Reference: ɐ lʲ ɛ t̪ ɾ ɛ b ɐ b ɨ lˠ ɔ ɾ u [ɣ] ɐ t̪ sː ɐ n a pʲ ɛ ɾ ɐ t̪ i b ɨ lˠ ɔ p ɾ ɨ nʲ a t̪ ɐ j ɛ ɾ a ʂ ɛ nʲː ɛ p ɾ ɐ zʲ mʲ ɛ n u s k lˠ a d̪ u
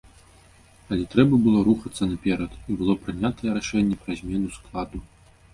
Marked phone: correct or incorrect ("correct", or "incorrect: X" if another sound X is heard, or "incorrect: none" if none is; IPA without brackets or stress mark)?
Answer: incorrect: x